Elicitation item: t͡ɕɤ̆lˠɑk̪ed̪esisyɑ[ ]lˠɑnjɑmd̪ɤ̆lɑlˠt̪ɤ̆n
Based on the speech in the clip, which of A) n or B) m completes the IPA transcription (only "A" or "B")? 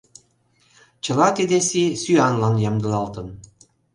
A